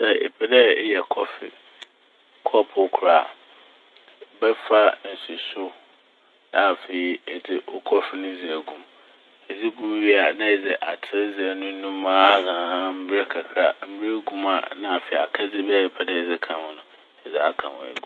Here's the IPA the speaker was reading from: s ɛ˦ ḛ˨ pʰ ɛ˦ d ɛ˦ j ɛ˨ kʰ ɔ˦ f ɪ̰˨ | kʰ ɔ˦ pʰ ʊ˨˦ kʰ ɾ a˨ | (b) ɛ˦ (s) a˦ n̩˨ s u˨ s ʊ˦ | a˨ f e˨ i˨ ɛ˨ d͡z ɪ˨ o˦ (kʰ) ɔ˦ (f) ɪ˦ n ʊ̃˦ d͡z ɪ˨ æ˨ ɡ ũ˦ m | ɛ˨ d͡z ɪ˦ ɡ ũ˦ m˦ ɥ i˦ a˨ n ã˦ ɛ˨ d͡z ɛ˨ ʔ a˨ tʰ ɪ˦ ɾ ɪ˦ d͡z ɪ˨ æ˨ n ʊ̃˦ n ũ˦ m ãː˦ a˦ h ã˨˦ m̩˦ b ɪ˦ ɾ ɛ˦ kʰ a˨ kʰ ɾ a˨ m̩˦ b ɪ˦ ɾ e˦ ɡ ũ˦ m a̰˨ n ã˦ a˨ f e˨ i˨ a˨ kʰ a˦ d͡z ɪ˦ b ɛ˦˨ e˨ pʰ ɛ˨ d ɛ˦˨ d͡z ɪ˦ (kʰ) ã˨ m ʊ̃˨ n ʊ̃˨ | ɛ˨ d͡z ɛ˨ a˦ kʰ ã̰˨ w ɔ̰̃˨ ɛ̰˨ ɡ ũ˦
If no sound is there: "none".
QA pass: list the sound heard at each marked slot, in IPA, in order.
b, f, kʰ, f, kʰ

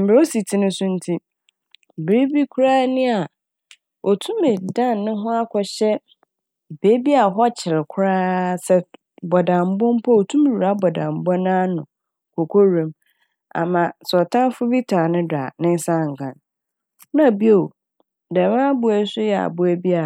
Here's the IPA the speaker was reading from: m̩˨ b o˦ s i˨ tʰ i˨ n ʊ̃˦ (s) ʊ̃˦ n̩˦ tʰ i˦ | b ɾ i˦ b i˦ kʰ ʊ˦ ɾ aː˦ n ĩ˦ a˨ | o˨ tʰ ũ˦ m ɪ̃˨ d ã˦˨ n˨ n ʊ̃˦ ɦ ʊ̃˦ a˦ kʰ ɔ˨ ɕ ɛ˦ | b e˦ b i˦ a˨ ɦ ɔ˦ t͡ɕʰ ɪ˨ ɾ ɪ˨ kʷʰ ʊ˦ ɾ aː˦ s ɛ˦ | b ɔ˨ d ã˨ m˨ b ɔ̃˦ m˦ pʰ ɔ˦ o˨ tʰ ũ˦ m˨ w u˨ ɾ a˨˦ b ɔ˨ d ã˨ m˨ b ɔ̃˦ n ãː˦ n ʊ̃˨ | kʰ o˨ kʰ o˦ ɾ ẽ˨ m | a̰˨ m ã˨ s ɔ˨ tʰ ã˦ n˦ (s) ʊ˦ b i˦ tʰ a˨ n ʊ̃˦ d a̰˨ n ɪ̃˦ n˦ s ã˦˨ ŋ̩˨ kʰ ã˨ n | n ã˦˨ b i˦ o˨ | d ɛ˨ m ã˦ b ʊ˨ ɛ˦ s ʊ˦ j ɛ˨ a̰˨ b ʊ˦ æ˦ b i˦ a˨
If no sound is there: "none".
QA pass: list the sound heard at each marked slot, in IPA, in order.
s, f

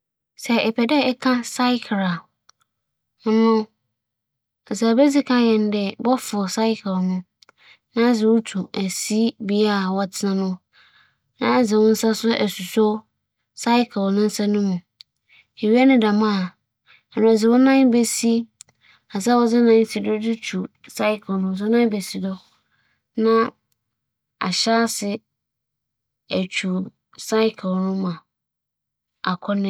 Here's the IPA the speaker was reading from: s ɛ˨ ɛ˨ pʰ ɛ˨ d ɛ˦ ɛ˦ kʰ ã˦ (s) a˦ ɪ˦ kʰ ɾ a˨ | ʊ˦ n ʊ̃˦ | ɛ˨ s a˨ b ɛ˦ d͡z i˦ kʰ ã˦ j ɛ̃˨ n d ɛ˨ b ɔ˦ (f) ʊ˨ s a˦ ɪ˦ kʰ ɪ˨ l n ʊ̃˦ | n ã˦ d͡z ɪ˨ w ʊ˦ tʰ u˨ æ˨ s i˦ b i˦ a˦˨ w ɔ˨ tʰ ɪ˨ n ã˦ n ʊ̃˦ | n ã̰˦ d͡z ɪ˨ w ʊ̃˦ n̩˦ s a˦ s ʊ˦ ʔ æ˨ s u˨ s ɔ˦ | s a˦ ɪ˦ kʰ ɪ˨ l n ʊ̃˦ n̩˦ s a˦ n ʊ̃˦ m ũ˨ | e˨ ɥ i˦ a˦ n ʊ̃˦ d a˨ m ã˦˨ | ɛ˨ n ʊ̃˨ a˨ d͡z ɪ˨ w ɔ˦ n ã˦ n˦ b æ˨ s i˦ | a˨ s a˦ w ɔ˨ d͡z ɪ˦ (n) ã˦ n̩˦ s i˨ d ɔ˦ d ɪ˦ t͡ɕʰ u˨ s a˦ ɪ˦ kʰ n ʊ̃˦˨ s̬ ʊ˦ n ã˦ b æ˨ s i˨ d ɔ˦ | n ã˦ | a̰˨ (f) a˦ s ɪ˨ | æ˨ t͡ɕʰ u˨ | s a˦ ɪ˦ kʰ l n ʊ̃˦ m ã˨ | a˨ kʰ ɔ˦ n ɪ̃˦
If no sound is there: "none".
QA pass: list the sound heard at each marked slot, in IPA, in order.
s, f, n, ɕ

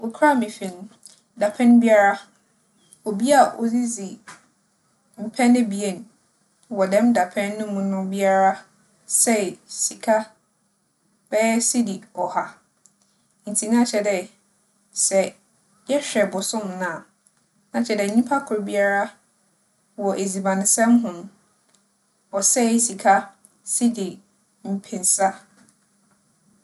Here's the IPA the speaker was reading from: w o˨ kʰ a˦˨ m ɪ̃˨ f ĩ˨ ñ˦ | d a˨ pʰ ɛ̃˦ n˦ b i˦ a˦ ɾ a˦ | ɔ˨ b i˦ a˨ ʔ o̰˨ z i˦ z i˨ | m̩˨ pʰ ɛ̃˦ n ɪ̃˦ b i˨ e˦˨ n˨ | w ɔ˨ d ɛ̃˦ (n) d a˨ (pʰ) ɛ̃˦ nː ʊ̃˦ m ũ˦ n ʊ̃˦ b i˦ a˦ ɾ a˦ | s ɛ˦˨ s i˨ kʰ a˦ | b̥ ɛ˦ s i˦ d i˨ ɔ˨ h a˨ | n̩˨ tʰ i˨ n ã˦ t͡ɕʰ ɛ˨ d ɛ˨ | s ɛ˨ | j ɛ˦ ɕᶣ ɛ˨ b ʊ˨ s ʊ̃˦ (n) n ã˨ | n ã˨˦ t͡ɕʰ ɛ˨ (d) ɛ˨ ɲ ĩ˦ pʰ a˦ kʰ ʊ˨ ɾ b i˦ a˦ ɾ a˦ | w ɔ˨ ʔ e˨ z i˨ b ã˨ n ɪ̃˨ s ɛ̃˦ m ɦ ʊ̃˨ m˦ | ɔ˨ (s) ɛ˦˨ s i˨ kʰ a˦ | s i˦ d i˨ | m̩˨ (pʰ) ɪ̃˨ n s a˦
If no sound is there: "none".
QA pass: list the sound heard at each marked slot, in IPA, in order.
m, pʰ, m, d, s, pʰ

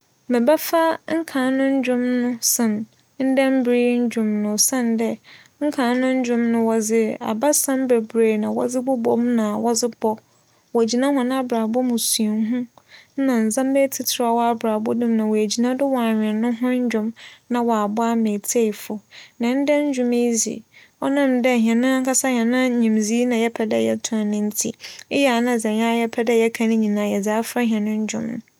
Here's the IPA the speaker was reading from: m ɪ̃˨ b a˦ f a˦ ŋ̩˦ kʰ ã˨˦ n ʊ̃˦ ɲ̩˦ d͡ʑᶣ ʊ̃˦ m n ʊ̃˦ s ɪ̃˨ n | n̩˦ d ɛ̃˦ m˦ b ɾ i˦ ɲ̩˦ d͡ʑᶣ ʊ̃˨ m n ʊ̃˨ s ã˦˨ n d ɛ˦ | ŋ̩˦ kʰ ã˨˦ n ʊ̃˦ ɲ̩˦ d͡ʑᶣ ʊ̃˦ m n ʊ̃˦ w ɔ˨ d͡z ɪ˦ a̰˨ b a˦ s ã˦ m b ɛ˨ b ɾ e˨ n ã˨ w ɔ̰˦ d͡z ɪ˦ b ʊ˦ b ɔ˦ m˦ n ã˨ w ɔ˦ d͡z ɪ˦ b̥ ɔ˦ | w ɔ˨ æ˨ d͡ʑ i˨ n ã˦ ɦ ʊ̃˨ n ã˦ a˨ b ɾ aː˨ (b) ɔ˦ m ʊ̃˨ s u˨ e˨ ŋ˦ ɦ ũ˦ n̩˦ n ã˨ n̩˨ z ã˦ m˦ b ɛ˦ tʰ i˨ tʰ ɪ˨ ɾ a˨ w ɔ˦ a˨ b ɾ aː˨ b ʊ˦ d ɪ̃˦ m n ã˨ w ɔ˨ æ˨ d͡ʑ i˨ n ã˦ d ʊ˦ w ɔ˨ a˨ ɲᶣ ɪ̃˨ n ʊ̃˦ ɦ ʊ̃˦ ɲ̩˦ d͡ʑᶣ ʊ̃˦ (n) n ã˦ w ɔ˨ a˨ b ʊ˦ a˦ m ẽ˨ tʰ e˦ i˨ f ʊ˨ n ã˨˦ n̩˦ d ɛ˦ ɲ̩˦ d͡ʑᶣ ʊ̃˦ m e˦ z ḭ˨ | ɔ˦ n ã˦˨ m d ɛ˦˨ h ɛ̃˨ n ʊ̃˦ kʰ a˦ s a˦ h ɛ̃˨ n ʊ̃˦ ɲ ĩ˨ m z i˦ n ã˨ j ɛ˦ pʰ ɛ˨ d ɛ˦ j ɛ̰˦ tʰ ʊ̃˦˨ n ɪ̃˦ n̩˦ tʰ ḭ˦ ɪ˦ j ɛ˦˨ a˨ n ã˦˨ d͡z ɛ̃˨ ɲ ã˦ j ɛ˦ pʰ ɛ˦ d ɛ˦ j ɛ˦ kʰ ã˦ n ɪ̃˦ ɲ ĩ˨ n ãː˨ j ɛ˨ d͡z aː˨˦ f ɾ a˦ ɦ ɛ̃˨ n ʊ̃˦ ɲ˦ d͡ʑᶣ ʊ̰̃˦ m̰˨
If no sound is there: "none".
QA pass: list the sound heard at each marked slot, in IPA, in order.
b, m

